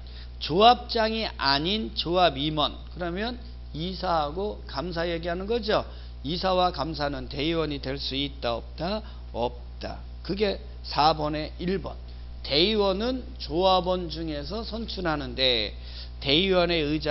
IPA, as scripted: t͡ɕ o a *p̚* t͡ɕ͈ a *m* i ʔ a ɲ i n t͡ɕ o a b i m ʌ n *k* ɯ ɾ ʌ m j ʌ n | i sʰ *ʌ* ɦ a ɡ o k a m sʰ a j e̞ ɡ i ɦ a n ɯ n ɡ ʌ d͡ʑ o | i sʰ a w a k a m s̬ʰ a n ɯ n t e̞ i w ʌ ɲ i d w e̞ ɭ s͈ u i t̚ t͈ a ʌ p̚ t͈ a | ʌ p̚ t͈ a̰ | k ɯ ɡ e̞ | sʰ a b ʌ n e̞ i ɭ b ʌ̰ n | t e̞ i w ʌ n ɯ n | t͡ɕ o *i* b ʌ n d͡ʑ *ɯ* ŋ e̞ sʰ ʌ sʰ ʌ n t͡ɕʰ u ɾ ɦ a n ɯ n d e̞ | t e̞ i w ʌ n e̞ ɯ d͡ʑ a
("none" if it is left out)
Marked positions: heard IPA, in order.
p̚, ŋ, k, a, a, u

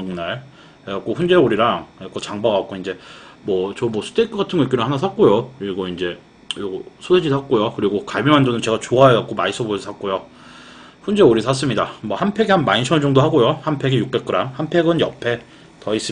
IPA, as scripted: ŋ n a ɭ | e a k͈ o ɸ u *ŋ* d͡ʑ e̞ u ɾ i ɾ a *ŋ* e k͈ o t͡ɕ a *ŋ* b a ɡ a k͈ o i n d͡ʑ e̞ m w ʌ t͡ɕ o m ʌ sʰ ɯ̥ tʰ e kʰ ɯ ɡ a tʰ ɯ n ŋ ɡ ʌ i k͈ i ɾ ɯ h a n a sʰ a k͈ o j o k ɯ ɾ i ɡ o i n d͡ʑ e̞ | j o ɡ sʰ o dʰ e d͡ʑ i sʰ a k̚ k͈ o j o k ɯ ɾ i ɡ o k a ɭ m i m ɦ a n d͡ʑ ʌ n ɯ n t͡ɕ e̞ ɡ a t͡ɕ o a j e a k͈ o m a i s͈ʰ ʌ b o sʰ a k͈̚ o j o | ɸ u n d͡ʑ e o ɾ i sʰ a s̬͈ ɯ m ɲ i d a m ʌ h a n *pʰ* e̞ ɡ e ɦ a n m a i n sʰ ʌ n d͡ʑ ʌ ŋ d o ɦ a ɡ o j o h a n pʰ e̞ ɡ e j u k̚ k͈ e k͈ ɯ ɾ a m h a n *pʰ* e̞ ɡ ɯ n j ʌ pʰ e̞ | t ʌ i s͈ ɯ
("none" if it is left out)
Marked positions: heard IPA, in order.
n, ŋ, ŋ, pʰ, pʰ

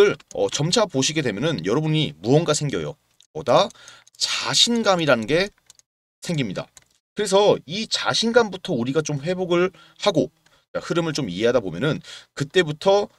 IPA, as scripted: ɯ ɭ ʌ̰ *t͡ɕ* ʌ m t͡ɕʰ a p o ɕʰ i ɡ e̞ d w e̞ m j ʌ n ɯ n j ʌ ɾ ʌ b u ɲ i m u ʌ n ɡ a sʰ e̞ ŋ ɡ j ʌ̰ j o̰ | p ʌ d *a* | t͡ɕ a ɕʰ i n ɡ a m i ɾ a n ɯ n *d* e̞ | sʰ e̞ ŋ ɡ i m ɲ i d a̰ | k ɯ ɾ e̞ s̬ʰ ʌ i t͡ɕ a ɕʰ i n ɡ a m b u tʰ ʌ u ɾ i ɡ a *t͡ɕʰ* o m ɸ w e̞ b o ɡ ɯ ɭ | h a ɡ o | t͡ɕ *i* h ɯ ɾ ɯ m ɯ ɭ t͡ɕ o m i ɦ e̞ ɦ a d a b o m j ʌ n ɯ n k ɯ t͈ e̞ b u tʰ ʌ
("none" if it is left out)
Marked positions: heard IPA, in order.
t͡ɕ, a, ɡ, t͡ɕ, a

